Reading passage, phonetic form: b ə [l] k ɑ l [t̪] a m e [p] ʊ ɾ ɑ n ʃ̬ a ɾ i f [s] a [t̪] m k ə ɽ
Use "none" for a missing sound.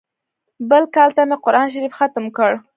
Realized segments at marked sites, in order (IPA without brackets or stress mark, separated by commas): l, t̪, q, x, t̪